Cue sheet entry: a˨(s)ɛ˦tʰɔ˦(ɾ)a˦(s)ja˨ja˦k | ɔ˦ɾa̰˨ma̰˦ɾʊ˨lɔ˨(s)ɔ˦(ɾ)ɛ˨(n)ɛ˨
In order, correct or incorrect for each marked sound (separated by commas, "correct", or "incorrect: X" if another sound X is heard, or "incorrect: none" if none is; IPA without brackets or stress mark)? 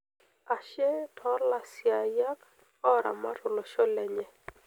incorrect: ʃ, incorrect: l, correct, incorrect: ʃ, incorrect: l, incorrect: ɲ